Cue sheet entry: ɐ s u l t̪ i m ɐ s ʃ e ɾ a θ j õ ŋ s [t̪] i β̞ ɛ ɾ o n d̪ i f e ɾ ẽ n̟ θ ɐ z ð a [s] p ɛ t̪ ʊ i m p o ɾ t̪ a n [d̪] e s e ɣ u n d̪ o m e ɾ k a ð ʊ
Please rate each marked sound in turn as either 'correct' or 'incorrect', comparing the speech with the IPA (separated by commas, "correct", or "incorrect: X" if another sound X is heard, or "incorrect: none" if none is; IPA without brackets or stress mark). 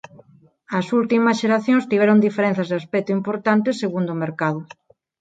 correct, correct, incorrect: t̪